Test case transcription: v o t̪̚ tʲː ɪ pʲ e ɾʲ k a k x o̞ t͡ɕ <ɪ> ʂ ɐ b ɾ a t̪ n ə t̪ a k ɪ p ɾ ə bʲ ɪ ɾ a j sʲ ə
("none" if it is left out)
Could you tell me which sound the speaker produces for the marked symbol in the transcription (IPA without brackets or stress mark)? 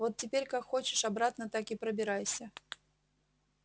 ɪ